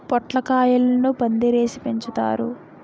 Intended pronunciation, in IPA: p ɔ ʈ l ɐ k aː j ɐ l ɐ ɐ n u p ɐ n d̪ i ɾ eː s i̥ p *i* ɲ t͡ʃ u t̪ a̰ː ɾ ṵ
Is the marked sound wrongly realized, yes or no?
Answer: yes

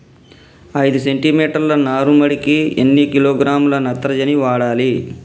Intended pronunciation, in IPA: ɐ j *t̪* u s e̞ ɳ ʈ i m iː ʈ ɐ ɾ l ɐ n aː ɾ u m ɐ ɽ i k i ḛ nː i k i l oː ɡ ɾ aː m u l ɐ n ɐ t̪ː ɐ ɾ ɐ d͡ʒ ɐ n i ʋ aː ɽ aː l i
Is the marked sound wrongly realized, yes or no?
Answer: yes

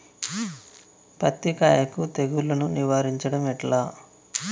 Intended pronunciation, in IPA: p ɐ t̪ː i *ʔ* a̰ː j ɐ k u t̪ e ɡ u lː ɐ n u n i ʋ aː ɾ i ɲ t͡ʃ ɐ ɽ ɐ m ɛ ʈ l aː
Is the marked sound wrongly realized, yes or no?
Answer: yes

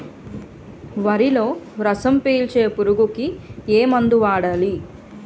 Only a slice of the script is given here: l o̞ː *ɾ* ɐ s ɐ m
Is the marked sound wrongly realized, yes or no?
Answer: no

